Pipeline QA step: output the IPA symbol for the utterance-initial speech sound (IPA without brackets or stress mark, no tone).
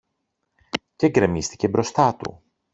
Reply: c